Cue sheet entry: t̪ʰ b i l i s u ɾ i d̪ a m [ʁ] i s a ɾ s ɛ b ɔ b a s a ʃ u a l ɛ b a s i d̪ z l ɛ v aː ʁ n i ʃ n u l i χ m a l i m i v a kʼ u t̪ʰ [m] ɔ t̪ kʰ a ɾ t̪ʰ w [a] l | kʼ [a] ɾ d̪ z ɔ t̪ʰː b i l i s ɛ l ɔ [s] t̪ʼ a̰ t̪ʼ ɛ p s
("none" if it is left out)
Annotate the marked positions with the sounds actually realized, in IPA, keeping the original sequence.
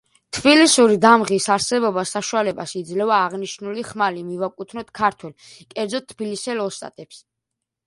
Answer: ʁ, n, ɛ, ɛ, s

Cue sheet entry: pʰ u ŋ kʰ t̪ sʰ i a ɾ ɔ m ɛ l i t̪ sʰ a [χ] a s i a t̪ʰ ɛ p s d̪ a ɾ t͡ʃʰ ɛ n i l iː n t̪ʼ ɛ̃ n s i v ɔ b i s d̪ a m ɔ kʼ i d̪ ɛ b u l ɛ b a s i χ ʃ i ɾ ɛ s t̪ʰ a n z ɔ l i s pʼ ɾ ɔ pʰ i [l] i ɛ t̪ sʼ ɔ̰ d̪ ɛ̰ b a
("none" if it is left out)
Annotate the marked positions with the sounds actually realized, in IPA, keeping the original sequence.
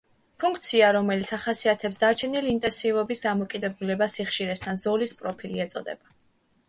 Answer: χ, l

